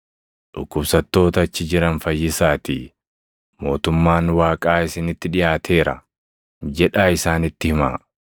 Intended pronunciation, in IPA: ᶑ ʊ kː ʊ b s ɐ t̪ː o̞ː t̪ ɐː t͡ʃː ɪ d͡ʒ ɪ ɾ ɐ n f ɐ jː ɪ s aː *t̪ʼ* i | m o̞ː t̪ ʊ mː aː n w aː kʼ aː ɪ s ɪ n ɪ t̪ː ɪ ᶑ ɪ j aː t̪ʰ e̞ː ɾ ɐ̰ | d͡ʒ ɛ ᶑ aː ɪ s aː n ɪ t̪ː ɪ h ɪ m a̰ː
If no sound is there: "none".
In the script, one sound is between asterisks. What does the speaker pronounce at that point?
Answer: t̪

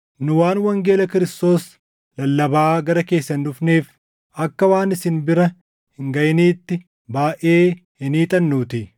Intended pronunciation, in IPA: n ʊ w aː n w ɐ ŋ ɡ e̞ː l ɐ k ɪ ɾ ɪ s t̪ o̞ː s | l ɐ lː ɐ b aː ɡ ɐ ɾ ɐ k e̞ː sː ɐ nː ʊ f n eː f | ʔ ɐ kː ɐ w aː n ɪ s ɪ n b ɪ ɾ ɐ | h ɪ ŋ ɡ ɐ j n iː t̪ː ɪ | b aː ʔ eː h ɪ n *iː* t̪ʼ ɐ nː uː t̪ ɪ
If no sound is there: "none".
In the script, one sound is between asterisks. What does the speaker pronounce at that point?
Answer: iː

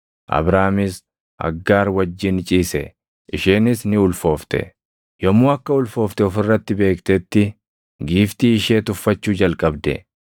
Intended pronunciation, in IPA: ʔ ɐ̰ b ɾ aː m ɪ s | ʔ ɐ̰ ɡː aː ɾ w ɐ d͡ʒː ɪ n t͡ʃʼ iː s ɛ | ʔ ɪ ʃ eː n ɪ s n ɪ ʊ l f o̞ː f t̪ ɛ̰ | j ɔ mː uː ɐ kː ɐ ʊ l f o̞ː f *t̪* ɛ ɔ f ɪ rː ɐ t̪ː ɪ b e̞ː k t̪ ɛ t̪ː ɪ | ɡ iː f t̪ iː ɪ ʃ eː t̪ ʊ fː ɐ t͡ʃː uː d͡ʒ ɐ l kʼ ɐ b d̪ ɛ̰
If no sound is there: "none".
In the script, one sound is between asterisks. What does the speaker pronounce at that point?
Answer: t̪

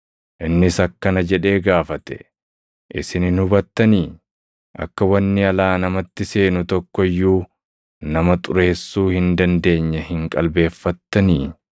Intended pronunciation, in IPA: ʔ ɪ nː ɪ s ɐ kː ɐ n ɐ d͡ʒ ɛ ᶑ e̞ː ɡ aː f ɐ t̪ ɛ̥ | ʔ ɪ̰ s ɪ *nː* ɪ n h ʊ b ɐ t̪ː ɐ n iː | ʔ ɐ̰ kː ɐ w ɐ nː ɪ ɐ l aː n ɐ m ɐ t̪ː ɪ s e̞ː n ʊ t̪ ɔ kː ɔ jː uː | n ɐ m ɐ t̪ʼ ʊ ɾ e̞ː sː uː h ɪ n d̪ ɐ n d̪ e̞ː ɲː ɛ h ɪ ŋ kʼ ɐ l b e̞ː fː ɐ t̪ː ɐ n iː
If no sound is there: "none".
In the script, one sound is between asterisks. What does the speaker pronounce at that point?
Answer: n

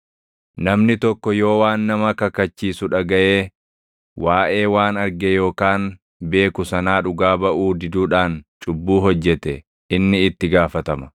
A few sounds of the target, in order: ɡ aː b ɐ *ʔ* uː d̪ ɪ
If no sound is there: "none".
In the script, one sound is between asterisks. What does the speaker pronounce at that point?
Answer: ʔ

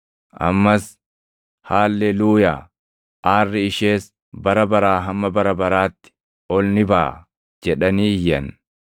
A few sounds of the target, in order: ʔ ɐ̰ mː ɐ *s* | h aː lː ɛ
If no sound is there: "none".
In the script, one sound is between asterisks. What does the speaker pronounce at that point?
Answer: s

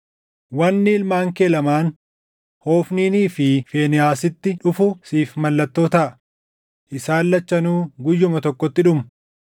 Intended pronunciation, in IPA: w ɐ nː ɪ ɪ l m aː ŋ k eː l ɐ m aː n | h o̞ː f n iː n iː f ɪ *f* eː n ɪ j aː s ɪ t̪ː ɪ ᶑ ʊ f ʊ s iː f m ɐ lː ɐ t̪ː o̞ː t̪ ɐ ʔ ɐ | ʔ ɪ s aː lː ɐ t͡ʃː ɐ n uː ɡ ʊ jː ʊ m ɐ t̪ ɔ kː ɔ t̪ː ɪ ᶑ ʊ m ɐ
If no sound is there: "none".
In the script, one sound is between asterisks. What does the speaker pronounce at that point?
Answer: f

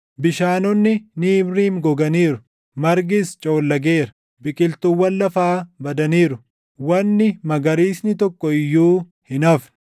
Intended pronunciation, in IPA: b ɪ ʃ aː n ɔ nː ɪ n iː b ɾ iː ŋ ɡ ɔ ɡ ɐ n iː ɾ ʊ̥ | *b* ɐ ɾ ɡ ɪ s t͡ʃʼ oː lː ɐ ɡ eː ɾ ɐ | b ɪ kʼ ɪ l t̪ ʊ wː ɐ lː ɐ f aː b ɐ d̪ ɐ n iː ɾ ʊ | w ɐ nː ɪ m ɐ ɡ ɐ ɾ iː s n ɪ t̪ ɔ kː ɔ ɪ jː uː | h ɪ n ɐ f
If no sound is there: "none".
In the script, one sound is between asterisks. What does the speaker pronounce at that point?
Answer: m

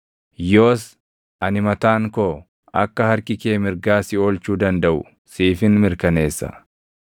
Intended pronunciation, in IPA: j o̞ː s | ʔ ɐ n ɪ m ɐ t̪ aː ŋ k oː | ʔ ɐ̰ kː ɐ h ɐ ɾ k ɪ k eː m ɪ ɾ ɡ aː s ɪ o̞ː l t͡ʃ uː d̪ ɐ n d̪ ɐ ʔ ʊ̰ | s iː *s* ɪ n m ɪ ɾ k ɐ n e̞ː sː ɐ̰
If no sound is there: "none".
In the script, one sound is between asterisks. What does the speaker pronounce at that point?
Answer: f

